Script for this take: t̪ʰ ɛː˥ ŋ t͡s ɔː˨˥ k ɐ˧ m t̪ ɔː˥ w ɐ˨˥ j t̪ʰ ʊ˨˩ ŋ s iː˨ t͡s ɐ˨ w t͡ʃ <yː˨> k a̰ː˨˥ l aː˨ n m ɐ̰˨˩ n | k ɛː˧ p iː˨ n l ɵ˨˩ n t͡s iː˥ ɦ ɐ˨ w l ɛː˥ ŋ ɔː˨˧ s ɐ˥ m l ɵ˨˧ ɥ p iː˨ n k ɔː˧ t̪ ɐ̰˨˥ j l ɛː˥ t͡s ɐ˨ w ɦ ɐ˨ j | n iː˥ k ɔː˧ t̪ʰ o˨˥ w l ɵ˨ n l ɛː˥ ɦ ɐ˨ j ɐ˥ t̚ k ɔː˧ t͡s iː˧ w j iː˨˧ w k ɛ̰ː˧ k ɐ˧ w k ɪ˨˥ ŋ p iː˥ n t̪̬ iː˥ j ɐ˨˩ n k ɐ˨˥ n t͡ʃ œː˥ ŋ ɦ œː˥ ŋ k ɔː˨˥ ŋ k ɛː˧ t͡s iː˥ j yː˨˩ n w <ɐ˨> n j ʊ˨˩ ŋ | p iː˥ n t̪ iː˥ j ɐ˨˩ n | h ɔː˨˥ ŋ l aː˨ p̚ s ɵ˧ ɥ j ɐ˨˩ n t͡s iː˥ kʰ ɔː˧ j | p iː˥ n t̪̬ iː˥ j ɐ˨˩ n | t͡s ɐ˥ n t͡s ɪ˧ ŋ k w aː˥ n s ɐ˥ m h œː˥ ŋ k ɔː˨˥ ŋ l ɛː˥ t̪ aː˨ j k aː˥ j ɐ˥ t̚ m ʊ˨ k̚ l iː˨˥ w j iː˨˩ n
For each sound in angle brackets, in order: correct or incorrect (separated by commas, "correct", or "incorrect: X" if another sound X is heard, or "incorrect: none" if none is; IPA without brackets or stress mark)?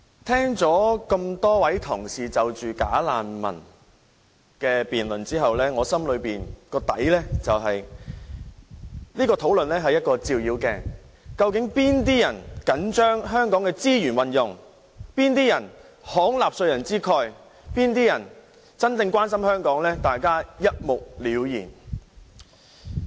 correct, correct